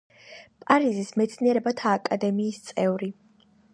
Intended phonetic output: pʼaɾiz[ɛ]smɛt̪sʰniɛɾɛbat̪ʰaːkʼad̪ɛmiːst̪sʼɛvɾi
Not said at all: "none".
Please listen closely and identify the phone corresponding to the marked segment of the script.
i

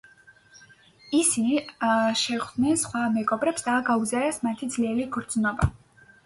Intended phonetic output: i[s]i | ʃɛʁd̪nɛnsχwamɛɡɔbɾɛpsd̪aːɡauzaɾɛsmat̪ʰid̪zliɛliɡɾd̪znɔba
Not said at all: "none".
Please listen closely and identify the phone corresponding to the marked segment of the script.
s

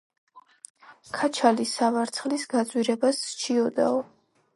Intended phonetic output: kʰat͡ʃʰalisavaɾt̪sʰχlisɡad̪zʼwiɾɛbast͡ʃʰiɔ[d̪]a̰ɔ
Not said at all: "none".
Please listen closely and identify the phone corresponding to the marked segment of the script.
d̪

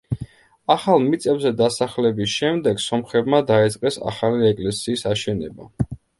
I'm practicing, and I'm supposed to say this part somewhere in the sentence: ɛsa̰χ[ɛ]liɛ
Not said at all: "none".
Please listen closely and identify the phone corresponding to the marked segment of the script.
a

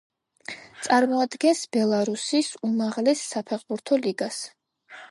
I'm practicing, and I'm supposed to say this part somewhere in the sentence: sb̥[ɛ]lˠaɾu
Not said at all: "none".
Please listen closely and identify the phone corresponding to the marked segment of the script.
ɛ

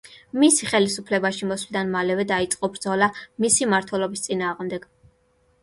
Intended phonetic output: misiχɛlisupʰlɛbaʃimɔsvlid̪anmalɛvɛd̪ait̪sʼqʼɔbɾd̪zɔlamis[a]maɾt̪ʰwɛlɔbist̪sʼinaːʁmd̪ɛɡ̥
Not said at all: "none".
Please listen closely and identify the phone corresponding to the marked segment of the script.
i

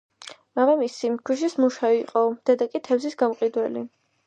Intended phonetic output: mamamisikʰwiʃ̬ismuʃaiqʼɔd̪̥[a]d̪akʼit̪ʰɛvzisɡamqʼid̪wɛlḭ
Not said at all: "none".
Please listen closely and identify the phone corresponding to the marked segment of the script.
ɛ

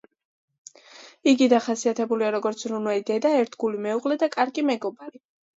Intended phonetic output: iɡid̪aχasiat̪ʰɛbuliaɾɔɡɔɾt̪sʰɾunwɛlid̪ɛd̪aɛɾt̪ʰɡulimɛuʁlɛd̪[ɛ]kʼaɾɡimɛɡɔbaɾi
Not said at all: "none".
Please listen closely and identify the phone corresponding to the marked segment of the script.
a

